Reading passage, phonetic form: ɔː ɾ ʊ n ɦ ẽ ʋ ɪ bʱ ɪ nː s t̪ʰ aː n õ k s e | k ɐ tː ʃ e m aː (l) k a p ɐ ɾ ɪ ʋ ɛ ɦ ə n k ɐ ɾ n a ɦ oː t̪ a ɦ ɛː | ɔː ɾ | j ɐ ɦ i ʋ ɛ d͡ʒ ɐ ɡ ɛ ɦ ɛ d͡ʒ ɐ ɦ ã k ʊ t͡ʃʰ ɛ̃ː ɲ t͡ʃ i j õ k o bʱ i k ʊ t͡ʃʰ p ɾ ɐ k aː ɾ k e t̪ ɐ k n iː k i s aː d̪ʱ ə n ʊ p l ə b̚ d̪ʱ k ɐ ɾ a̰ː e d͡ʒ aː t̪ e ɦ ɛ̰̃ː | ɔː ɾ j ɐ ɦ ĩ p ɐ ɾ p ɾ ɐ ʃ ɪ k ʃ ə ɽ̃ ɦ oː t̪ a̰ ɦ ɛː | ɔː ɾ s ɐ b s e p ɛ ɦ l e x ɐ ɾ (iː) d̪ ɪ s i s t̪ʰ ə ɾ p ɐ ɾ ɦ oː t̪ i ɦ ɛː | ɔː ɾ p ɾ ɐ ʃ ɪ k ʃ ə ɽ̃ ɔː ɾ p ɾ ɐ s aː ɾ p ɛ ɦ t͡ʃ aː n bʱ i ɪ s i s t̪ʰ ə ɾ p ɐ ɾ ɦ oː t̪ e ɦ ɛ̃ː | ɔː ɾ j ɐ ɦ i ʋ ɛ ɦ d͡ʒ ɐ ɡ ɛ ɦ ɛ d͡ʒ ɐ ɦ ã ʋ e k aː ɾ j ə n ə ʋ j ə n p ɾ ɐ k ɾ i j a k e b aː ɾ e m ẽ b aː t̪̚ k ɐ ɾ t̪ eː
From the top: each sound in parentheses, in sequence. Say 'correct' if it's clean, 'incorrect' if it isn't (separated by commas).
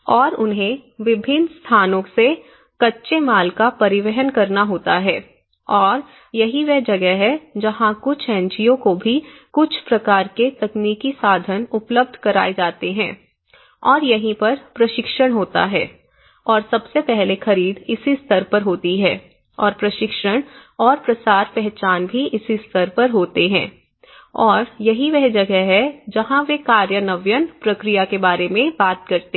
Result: correct, correct